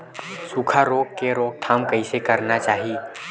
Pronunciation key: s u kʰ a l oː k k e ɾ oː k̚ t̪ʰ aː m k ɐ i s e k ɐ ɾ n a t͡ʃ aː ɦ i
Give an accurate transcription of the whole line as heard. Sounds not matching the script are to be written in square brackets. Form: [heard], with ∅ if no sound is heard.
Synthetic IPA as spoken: s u kʰ a [ɾ] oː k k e ɾ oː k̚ t̪ʰ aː m k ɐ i s e k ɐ ɾ n a t͡ʃ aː ɦ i